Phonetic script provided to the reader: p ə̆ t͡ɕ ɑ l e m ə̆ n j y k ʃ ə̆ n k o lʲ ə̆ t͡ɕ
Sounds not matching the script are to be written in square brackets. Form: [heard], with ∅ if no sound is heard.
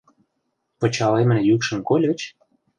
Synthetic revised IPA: p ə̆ t͡ɕ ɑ l e m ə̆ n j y k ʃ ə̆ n k o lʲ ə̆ t͡ɕ